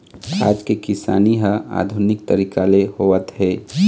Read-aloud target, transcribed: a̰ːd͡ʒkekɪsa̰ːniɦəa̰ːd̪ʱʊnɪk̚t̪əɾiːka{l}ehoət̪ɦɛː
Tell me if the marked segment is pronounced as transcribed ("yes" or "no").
yes